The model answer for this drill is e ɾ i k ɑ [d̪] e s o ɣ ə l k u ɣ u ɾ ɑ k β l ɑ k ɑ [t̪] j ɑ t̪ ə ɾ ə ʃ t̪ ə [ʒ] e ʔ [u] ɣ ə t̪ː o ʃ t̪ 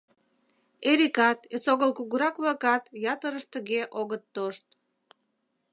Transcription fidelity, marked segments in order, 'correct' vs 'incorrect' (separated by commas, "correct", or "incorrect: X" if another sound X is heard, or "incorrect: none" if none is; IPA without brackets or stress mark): incorrect: t̪, correct, incorrect: ɣ, incorrect: o